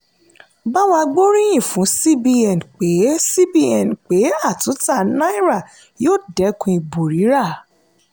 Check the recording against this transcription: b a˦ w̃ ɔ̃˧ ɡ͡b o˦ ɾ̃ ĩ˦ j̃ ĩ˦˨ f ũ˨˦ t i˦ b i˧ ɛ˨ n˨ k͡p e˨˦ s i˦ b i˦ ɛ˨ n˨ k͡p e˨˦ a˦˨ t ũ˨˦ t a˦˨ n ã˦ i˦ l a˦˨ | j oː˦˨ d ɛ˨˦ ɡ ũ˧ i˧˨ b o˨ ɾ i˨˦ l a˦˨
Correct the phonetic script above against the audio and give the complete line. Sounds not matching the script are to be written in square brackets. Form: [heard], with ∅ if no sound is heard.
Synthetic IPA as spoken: b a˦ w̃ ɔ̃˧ ɡ͡b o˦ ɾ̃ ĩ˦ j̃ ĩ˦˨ f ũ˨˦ [s] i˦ b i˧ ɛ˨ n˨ k͡p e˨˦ s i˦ b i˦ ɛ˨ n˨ k͡p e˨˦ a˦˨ t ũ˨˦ t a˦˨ n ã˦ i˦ [ɾ] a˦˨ | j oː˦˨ d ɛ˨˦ [k] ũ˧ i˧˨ b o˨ ɾ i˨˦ [ɾ] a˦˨